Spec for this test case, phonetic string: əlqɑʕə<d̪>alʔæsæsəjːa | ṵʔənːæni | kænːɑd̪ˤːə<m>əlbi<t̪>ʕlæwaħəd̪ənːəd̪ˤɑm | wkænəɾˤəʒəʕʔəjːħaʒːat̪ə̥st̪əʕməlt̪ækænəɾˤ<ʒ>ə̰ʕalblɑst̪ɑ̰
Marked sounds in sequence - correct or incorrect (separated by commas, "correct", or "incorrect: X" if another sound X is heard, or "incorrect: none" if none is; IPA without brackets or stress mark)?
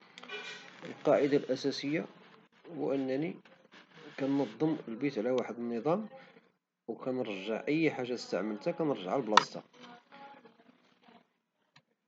correct, correct, correct, correct